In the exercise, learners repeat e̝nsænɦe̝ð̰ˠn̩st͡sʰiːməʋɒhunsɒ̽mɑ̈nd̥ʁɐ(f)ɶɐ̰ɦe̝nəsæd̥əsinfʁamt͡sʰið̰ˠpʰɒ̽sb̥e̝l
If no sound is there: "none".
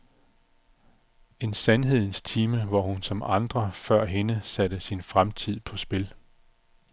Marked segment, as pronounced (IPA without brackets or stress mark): f